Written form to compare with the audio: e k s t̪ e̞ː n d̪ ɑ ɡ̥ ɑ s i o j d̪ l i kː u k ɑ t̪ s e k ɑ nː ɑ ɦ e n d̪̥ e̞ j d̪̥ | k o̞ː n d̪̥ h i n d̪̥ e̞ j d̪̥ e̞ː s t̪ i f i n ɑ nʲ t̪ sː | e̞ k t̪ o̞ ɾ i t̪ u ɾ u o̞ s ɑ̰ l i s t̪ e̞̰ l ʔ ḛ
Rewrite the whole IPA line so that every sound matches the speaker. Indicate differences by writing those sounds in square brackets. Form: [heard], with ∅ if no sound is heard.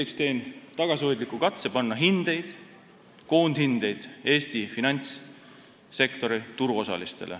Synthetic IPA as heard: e k s t̪ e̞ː n [t̪] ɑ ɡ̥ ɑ s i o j d̪ l i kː u k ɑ t̪ s e [p] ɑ nː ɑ ɦ [i] n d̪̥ e̞ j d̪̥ | k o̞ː n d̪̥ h i n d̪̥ e̞ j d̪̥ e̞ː s t̪ i f i n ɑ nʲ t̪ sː | e̞ k t̪ o̞ ɾ i t̪ u ɾ u o̞ s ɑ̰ l i s t̪ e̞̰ l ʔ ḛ